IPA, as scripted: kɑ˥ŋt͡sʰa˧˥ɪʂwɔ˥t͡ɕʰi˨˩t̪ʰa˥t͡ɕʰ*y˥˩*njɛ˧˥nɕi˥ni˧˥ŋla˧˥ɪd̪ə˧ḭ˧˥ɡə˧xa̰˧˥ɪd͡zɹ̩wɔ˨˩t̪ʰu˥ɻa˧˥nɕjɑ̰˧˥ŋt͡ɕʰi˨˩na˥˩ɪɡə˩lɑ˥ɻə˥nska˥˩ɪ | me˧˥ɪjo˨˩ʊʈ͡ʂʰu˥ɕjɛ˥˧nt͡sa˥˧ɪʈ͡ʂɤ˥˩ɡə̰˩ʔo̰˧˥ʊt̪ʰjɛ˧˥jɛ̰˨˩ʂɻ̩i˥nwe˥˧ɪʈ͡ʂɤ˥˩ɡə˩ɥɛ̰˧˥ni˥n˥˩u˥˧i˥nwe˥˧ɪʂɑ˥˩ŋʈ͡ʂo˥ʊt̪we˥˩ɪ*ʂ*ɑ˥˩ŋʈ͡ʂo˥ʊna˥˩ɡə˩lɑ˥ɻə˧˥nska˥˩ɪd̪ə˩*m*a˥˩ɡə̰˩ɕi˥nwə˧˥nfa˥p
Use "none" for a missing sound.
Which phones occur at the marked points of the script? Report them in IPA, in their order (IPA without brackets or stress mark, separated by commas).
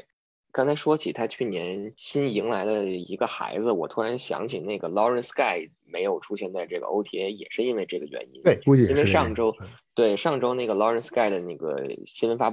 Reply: y˥˩, ʂ, n